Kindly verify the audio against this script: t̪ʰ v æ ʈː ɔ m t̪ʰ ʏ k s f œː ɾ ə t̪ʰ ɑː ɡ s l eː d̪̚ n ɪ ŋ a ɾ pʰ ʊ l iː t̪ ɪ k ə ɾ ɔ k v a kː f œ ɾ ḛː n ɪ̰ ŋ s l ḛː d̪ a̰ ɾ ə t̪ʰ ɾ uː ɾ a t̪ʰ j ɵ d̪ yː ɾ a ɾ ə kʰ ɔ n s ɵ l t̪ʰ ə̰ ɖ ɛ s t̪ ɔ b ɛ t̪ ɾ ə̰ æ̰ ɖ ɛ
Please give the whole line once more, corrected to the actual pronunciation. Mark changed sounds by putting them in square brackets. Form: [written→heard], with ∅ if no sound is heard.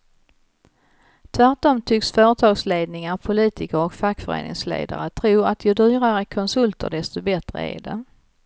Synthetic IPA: t̪ʰ v æ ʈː ɔ m t̪ʰ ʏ k s f œː ɾ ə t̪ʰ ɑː ɡ s l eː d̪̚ n ɪ ŋ a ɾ pʰ ʊ l iː t̪ ɪ k ə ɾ ɔ k [v→f] a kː f œ ɾ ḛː n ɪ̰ ŋ s l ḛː d̪ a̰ ɾ ə t̪ʰ ɾ uː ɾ a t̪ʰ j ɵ d̪ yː ɾ a ɾ ə kʰ ɔ n s ɵ l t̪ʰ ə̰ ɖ ɛ s t̪ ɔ b ɛ t̪ ɾ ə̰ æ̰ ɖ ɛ